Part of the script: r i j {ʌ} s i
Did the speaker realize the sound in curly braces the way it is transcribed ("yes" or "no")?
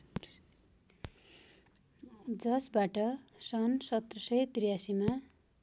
no